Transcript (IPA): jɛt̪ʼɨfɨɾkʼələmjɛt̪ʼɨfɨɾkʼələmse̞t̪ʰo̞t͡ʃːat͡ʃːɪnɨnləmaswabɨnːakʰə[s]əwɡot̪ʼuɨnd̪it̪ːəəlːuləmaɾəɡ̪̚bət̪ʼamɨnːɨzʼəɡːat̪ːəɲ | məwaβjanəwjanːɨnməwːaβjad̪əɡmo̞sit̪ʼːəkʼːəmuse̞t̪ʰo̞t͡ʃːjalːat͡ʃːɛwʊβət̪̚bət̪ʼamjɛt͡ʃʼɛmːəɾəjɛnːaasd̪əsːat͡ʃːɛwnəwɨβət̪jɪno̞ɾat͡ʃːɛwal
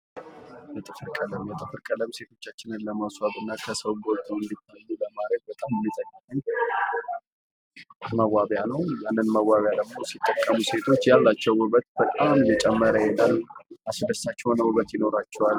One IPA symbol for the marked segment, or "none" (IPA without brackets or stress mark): s